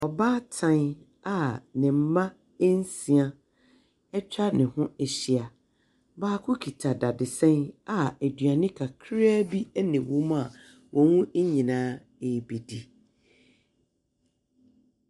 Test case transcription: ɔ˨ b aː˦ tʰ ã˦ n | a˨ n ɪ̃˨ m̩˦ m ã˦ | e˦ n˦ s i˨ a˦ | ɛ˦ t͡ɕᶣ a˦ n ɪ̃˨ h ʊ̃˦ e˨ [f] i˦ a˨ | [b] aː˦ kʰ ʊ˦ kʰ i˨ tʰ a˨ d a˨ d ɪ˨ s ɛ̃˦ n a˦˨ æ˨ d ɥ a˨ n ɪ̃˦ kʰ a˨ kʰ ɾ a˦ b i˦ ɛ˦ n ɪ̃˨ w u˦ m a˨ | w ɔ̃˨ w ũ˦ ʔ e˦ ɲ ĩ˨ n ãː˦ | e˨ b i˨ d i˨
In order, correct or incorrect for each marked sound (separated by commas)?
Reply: incorrect, correct